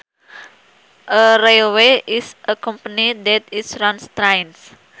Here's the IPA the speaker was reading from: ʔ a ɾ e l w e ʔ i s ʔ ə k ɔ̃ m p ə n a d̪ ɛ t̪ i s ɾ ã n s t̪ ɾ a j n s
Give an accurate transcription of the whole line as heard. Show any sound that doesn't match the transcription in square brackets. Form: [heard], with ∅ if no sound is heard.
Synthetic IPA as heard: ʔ [ə] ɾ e l w e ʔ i s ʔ ə k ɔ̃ m p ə n [i] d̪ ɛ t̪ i s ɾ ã n s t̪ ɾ a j n s